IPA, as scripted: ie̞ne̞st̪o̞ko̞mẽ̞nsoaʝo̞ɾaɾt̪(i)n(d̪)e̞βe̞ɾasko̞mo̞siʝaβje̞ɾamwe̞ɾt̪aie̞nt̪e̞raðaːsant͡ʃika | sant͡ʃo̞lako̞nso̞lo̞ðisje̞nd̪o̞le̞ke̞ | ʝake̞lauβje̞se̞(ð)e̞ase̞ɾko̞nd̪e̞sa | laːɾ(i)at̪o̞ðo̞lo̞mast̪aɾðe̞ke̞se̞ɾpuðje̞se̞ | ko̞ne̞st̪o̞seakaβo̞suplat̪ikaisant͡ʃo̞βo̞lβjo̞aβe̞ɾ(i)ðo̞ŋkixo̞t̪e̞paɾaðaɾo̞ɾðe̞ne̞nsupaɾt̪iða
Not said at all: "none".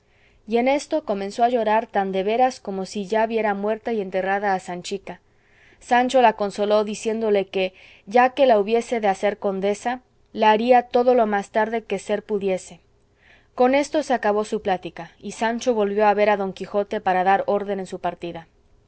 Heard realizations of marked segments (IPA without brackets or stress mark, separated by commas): a, d̪, ð, i, a